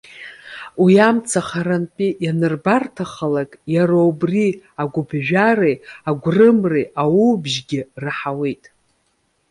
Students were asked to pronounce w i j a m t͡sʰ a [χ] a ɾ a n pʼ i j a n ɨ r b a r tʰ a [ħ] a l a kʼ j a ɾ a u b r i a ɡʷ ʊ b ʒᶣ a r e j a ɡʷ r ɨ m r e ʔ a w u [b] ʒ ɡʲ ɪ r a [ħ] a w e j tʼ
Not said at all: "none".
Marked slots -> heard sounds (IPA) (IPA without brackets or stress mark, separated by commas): χ, χ, b, ħ